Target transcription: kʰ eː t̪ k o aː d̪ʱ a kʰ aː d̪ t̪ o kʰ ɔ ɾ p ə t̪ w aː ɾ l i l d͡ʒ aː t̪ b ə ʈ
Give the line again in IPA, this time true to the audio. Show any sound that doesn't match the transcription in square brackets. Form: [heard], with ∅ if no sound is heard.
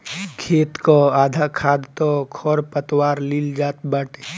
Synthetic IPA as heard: kʰ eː t̪ k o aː d̪ʱ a kʰ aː d̪ t̪ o kʰ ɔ ɾ p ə t̪ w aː ɾ l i l d͡ʒ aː t̪ b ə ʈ